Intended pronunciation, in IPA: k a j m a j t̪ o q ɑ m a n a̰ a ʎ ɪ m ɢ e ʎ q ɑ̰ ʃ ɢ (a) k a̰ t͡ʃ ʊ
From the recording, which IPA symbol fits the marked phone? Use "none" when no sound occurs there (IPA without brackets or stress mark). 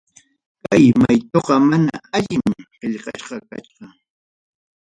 ɑ